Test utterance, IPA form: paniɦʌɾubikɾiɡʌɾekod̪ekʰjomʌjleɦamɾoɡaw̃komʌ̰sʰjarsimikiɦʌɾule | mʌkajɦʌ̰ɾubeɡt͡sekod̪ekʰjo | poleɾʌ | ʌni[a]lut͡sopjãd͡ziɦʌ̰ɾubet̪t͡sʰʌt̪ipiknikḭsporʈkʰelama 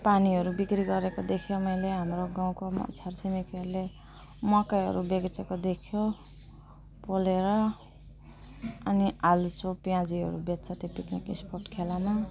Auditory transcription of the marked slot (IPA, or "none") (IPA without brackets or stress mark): a